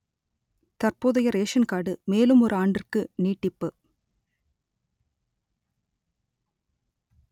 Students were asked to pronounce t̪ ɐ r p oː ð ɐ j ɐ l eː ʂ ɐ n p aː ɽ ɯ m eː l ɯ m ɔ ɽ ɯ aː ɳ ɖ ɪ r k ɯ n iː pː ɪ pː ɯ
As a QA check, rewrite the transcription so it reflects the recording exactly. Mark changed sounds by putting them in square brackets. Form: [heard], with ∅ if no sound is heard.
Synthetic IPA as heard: t̪ ɐ r p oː ð ɐ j ɐ [ɾ] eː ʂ ɐ n [k] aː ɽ ɯ m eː l ɯ m ɔ [ɾ] ɯ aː ɳ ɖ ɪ r k ɯ n iː [ʈː] ɪ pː ɯ